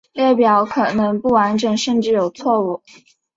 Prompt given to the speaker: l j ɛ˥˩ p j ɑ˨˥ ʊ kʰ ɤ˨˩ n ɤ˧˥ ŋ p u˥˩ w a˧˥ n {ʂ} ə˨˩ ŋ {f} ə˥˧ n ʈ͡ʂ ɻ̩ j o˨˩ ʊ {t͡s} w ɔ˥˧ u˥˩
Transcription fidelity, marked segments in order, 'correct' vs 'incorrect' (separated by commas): incorrect, incorrect, incorrect